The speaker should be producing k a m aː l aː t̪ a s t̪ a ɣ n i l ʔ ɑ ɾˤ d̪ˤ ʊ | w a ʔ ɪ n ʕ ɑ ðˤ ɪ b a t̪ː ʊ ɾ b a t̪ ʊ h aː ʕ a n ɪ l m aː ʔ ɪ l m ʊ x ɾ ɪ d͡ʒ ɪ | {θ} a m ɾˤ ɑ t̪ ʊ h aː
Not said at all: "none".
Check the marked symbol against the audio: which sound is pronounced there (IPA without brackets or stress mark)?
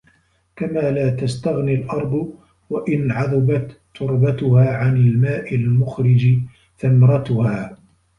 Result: θ